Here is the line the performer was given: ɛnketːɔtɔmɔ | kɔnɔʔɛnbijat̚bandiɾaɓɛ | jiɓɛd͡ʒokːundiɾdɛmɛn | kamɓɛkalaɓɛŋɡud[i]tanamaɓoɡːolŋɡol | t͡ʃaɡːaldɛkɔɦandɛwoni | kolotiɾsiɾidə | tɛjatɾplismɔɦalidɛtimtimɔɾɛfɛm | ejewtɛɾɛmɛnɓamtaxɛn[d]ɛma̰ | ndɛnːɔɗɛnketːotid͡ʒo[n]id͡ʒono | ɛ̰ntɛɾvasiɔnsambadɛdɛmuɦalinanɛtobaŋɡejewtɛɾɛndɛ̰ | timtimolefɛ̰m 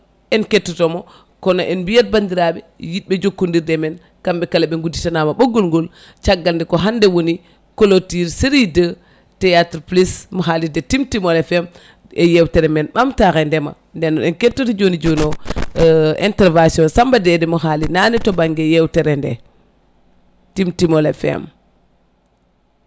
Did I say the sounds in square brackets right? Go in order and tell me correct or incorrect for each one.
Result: correct, correct, correct

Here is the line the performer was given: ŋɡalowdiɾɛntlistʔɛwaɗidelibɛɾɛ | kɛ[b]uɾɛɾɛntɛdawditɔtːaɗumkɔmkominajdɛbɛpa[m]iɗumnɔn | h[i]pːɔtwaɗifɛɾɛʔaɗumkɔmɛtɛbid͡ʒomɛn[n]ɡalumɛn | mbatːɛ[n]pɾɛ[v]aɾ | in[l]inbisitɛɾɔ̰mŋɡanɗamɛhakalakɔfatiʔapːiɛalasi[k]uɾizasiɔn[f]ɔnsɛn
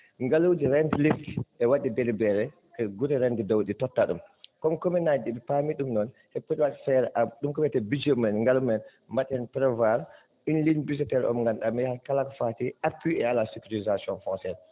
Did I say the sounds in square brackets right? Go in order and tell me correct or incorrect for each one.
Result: incorrect, correct, incorrect, incorrect, correct, correct, correct, correct, correct

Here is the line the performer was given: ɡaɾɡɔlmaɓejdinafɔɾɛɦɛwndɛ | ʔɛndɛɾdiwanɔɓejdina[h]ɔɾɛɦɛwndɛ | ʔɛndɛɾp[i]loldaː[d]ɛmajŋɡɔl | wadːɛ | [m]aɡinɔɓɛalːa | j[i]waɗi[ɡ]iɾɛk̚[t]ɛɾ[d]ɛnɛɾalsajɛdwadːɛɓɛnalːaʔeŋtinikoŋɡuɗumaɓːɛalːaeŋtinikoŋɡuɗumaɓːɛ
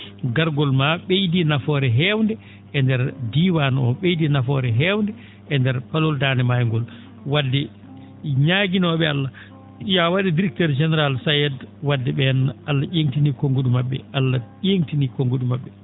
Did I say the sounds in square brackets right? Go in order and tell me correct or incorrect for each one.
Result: incorrect, incorrect, incorrect, incorrect, incorrect, incorrect, correct, incorrect

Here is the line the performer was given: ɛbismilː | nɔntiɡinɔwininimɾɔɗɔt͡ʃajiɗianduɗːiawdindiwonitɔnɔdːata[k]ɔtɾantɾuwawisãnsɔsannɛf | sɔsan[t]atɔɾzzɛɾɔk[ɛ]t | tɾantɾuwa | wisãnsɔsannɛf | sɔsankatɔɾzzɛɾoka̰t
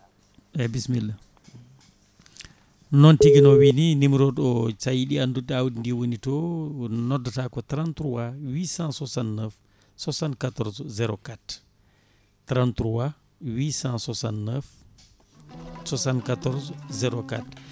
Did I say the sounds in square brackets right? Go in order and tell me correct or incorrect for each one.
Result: correct, incorrect, incorrect

